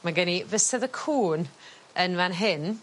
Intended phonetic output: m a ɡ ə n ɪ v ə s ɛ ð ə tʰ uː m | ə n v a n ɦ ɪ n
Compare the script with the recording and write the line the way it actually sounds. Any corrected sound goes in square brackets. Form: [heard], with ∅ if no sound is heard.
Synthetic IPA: m a ɡ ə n [i] v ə s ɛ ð ə [kʰ] uː [n] | ə n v a n ɦ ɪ n